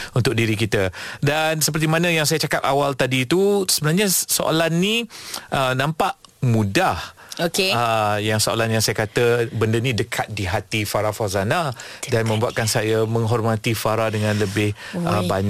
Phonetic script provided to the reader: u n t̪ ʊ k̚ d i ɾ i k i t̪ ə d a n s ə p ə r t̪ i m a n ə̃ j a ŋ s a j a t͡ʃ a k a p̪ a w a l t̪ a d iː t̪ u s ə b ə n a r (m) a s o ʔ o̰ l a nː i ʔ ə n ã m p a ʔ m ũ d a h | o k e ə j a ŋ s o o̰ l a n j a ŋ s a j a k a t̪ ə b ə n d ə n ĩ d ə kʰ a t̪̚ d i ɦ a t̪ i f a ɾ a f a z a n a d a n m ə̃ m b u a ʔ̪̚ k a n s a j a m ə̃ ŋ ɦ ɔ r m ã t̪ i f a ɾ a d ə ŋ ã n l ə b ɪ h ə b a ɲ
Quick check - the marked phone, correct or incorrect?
incorrect